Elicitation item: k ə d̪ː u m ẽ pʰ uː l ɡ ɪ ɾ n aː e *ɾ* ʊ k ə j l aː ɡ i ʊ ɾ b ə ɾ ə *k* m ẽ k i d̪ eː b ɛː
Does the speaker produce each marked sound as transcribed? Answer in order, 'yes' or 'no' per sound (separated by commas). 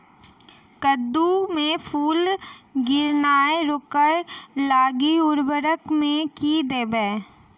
yes, yes